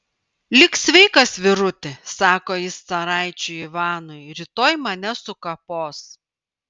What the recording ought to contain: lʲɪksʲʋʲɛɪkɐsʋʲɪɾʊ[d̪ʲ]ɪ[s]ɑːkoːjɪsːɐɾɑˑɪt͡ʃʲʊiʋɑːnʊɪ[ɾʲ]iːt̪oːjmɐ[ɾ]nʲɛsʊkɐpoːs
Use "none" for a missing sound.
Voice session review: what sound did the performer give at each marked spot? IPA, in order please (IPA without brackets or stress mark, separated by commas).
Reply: t̪ʲ, s, ɾʲ, none